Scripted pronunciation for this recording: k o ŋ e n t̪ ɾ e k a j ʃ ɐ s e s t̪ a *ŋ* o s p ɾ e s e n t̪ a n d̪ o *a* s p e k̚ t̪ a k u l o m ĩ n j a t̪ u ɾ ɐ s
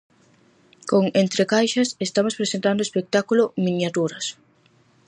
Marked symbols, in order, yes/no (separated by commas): no, no